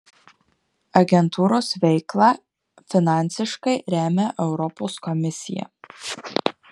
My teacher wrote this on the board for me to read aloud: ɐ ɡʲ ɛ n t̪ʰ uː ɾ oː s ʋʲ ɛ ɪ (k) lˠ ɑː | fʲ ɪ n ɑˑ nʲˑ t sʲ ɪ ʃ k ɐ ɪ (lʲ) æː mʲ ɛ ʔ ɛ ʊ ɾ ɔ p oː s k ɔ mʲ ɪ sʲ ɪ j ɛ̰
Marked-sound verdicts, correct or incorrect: correct, incorrect: ɾʲ

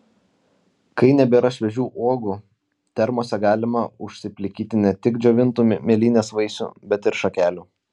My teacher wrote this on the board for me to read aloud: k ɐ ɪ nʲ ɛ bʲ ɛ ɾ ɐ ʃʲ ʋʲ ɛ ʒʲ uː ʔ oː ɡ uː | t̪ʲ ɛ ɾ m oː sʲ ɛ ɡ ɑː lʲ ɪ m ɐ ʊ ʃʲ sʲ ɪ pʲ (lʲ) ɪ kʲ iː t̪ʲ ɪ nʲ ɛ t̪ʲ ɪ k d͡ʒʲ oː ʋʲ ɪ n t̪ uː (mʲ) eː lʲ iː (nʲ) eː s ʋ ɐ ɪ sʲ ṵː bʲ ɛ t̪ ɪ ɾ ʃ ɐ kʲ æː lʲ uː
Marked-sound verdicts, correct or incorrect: correct, correct, correct

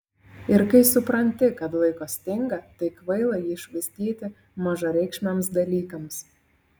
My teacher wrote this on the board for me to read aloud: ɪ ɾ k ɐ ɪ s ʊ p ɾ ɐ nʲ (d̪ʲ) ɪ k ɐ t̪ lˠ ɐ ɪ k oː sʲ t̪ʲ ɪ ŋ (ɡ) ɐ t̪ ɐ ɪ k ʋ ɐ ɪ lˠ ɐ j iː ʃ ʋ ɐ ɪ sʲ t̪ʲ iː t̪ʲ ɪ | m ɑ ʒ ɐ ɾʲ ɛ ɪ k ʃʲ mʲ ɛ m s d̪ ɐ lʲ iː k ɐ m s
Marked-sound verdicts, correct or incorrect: incorrect: t̪ʲ, correct

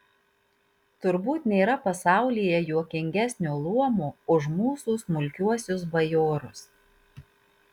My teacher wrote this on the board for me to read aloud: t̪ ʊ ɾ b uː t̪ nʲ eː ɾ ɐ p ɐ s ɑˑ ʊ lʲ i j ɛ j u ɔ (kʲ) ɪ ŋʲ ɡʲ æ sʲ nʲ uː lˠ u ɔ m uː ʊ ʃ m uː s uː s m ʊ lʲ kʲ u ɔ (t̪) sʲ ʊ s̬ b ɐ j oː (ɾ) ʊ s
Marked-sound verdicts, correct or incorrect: correct, incorrect: none, correct

